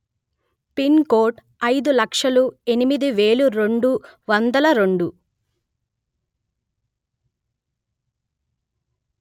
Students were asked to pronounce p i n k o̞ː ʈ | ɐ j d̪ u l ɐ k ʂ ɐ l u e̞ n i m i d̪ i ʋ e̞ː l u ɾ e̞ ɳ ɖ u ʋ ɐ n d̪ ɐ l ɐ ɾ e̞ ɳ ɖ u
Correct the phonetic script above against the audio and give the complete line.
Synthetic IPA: p i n k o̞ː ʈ | ɐ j d̪ u l ɐ k ʂ ɐ l u e̞ n i m i d̪ i ʋ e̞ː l u ɾ e̞ ɳ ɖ u ʋ ɐ n d̪ ɐ l ɐ ɾ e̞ ɳ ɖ u